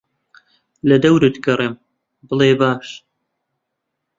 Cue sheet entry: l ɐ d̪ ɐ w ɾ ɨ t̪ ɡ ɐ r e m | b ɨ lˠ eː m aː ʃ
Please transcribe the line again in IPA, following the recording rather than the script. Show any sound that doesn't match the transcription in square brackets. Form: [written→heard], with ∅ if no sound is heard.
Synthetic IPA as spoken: l ɐ d̪ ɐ w ɾ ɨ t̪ ɡ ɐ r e m | b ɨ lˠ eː [m→b] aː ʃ